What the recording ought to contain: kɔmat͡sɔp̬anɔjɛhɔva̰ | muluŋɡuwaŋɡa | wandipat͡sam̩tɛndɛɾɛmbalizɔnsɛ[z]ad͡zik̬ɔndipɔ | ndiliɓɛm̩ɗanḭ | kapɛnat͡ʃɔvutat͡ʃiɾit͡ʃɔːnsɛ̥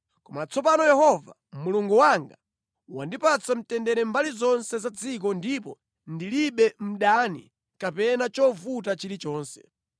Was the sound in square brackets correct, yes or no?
yes